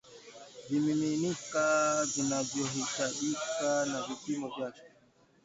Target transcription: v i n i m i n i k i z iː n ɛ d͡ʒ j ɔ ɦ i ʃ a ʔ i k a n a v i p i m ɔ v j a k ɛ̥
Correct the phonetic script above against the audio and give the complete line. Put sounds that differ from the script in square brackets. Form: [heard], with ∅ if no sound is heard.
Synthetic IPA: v i [m] i m i n i k [a] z [i] n [a] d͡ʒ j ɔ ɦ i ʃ a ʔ i k a n a v i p i m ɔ v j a k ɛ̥